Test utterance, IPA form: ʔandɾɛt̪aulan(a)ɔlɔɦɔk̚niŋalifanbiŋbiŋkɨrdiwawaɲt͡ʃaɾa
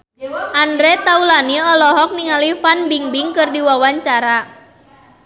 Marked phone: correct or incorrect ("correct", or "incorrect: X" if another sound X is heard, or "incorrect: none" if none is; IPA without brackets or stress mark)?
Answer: incorrect: i